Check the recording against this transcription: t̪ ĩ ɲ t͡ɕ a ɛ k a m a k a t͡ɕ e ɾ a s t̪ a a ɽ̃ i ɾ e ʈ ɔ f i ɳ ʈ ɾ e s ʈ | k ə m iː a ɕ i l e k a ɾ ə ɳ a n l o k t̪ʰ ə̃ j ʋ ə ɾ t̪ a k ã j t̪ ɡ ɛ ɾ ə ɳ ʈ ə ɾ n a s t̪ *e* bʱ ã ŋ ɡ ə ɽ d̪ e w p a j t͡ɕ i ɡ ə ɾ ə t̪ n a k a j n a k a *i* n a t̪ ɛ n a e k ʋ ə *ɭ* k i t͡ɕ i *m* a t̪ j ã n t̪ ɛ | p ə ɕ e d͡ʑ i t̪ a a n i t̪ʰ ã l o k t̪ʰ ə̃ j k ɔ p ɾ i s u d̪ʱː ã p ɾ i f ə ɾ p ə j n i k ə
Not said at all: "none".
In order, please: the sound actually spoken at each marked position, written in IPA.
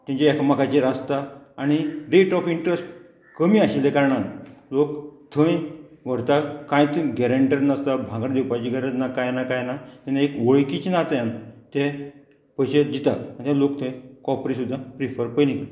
a, j, ɭ, n

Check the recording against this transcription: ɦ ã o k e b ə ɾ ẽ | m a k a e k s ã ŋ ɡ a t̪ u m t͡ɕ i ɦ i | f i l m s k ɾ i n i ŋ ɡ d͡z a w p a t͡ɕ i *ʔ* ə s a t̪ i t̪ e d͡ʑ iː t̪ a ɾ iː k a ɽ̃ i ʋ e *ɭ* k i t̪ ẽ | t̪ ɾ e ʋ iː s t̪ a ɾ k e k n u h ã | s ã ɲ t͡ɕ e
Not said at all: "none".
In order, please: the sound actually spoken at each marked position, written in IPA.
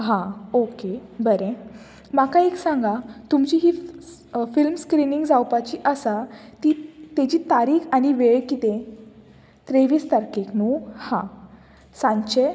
ʔ, ɭ

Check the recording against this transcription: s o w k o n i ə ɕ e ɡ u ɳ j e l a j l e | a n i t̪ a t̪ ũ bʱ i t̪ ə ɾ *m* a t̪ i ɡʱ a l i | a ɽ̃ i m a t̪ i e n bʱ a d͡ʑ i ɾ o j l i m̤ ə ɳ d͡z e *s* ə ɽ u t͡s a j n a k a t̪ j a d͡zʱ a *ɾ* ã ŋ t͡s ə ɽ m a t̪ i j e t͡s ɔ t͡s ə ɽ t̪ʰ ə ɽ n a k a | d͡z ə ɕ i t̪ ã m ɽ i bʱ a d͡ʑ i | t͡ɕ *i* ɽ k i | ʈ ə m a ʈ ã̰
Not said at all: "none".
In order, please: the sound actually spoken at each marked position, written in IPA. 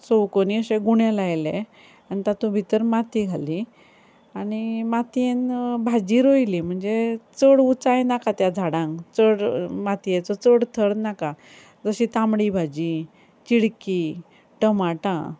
m, t͡s, ɽ, i

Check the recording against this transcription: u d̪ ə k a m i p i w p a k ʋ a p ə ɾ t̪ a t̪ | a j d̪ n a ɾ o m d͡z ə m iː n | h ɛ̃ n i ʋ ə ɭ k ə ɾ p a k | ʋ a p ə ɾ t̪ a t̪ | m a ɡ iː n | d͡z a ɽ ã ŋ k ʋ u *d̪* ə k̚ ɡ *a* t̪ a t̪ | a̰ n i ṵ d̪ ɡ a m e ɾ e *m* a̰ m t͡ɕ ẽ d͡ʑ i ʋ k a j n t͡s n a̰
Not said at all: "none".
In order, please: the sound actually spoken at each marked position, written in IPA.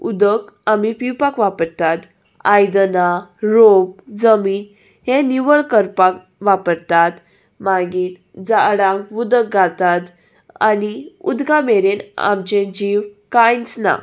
d̪, a, n

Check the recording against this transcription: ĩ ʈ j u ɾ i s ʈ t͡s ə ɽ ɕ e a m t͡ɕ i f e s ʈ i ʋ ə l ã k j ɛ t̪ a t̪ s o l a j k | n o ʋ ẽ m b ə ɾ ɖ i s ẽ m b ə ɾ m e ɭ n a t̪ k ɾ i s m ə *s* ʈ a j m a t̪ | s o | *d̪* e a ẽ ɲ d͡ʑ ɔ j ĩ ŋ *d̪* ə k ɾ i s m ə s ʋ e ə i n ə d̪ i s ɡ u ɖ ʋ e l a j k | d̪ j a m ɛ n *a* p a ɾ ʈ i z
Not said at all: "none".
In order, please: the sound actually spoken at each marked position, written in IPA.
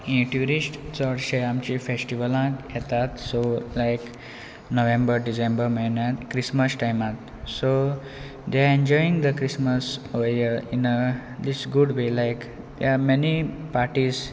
s, d̪, d̪, i

